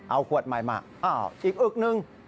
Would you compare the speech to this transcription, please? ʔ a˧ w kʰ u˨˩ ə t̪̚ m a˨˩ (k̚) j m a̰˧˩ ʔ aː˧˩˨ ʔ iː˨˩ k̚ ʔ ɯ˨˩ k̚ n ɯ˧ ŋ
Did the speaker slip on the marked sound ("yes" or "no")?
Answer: yes